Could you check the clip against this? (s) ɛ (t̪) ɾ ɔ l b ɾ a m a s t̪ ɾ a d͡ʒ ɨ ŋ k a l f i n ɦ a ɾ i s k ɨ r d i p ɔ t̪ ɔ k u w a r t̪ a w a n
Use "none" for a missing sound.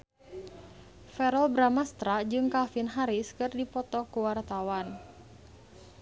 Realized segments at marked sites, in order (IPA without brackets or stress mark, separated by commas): f, none